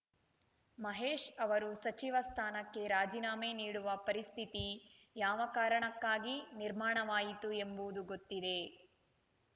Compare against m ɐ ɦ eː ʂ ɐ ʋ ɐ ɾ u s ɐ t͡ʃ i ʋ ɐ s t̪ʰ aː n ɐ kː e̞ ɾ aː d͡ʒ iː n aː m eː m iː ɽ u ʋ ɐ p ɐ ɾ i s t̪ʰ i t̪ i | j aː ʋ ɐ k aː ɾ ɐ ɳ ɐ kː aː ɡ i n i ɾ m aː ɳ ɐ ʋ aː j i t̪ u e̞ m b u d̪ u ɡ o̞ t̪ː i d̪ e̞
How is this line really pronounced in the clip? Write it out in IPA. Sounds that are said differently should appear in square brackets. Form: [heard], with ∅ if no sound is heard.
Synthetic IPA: m ɐ ɦ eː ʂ ɐ ʋ ɐ ɾ u s ɐ t͡ʃ i ʋ ɐ s t̪ʰ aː n ɐ kː e̞ ɾ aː d͡ʒ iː n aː m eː [n] iː ɽ u ʋ ɐ p ɐ ɾ i s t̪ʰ i t̪ i | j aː ʋ ɐ k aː ɾ ɐ ɳ ɐ kː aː ɡ i n i ɾ m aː ɳ ɐ ʋ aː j i t̪ u e̞ m b u d̪ u ɡ o̞ t̪ː i d̪ e̞